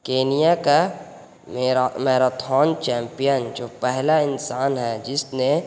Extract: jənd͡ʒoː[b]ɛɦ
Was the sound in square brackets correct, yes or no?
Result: no